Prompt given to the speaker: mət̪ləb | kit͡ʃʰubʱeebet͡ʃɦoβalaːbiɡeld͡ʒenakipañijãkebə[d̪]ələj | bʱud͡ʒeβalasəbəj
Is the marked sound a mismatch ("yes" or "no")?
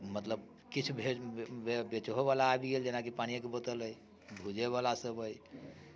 yes